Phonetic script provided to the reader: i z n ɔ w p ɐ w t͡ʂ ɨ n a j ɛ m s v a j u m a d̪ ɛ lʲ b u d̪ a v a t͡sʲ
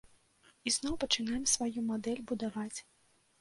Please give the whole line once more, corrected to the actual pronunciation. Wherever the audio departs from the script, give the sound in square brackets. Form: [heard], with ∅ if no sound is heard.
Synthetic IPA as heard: i z n ɔ w p ɐ [∅] t͡ʂ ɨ n a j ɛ m s v a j u m a d̪ ɛ lʲ b u d̪ a v a t͡sʲ